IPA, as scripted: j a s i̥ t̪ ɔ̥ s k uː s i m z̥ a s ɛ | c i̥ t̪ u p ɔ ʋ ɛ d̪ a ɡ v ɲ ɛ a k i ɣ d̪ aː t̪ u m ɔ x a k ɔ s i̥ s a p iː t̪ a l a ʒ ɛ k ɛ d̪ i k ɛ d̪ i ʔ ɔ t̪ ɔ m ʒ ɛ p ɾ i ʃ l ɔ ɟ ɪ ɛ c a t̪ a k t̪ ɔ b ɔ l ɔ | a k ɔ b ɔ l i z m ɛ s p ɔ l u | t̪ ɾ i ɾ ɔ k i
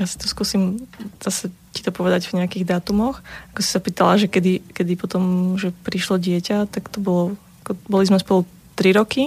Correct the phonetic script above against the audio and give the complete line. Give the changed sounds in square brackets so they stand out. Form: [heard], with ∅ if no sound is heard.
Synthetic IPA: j a s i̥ t̪ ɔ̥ s k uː s i m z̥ a s ɛ | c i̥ t̪ [ɔ] p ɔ ʋ ɛ d̪ a [ɟ] v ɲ ɛ a k i ɣ d̪ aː t̪ u m ɔ x a k ɔ s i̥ s a p iː t̪ a l a ʒ ɛ k ɛ d̪ i k ɛ d̪ i [p] ɔ t̪ ɔ m ʒ ɛ p ɾ i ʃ l ɔ ɟ ɪ ɛ c a t̪ a k t̪ ɔ b ɔ l ɔ | a k ɔ b ɔ l i z m ɛ s p ɔ l u | t̪ ɾ i ɾ ɔ k i